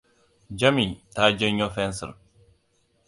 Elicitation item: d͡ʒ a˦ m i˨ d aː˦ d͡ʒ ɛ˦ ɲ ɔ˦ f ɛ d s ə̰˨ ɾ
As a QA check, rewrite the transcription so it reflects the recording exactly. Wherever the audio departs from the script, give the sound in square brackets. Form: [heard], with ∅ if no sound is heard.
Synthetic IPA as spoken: d͡ʒ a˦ m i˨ [t] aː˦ d͡ʒ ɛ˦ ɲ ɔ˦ f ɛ [n] s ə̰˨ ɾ